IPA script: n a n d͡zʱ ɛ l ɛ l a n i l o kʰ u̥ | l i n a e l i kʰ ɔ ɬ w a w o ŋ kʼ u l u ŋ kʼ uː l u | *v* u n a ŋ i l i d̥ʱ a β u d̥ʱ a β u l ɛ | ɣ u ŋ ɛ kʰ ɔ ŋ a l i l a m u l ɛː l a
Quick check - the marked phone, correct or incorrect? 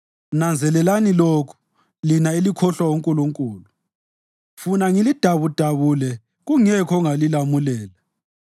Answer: incorrect